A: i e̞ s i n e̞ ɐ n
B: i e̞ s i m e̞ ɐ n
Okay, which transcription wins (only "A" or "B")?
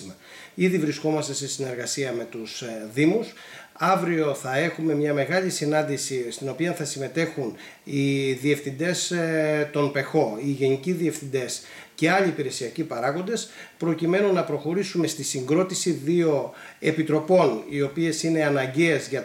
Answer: A